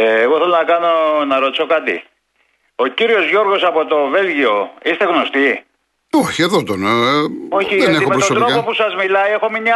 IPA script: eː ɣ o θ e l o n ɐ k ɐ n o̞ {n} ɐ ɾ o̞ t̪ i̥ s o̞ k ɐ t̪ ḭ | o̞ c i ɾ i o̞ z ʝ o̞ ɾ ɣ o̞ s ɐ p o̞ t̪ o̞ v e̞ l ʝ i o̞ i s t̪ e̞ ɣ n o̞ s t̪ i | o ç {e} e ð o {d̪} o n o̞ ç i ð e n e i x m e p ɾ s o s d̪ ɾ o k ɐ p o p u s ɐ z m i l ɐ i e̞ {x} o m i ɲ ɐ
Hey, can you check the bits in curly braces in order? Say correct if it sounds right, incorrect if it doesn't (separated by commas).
correct, incorrect, incorrect, correct